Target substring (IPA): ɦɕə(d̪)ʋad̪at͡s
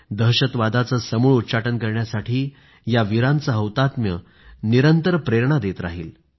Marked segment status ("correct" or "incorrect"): incorrect